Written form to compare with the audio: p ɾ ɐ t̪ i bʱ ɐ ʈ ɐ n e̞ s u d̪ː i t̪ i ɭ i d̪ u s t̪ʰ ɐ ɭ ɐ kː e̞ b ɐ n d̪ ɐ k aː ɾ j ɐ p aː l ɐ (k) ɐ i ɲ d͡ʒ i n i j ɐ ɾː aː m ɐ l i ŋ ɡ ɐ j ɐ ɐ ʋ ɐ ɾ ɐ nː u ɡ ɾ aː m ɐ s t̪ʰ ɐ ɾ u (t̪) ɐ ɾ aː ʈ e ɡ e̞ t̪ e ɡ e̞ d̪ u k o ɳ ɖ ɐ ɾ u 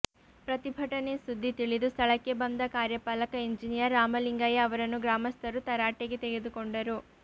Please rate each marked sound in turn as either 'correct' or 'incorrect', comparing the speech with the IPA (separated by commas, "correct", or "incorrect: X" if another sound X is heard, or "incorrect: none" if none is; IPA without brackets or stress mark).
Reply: correct, correct